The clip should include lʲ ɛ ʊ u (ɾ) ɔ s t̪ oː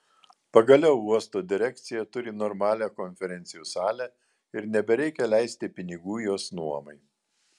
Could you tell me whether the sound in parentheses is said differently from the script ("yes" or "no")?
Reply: yes